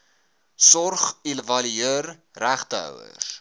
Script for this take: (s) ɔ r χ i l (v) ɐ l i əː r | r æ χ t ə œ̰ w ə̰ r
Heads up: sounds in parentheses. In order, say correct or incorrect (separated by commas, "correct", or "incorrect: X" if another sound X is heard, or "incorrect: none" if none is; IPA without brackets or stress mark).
correct, correct